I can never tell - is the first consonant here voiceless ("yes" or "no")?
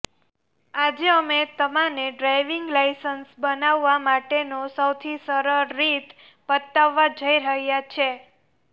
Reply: no